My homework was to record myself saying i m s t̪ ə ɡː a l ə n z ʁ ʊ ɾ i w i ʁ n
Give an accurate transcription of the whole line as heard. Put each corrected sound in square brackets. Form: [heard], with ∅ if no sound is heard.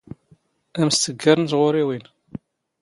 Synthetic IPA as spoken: [æ] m s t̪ ə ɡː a [ɾ] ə n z ʁ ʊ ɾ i w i [∅] n